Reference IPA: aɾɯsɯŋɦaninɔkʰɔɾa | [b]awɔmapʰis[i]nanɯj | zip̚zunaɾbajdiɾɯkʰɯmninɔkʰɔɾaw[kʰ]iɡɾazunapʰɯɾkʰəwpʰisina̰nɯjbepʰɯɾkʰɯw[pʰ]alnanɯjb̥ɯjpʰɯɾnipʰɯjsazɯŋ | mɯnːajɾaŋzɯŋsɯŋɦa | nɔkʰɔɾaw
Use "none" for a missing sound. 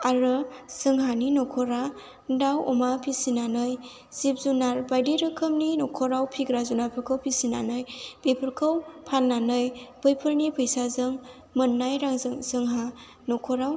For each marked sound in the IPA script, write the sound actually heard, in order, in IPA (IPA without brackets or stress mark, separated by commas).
d, i, pʰ, pʰ